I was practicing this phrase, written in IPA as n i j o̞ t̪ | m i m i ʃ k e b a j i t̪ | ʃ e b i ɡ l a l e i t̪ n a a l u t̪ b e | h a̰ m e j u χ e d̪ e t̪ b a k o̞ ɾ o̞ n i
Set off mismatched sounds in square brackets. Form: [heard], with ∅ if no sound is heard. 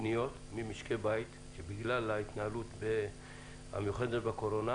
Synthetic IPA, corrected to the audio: n i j o̞ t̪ | m i m i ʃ k e b a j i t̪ | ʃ e b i ɡ l a l [a] i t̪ n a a l u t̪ b e | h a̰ m e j u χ e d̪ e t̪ b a k o̞ ɾ o̞ n [a]